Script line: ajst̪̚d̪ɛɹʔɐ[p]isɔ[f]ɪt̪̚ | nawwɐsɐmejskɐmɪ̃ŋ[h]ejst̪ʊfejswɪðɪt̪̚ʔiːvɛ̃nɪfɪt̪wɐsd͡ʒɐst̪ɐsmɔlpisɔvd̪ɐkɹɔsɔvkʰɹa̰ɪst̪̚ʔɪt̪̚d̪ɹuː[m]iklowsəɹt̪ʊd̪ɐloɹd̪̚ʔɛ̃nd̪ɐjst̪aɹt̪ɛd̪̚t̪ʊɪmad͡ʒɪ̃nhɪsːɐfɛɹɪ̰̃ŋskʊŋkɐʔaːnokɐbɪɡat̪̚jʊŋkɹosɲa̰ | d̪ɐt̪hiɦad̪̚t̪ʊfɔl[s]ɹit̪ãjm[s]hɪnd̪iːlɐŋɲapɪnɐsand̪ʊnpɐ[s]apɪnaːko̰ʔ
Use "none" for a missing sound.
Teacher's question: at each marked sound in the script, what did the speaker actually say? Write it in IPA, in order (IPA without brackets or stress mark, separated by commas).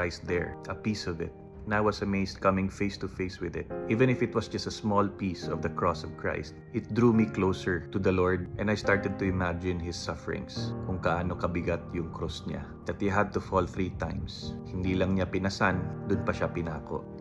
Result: p, v, f, m, θ, s, ʃ